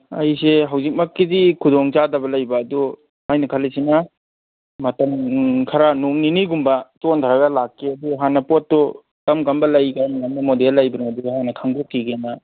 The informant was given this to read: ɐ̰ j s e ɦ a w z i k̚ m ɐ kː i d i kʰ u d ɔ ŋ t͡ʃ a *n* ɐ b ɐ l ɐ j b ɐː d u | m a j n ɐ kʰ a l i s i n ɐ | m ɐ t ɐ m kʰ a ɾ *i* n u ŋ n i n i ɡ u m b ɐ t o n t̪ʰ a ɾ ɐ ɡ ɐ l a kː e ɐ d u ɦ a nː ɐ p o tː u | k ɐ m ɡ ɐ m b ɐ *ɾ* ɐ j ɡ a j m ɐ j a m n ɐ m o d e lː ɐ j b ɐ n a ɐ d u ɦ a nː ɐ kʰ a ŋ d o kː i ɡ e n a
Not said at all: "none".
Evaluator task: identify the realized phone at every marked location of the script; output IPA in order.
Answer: d, a, l

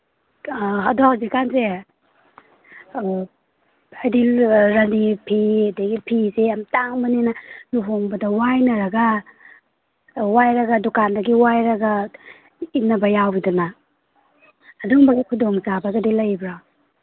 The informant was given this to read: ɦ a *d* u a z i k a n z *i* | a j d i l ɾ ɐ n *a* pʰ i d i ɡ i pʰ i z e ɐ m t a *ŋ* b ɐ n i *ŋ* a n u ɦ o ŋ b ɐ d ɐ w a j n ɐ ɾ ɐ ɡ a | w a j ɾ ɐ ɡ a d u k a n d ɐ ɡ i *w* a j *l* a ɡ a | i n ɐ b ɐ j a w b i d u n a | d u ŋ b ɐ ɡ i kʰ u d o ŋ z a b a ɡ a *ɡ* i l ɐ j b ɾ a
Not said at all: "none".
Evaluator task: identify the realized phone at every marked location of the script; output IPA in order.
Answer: d, e, i, ŋ, n, w, ɾ, d

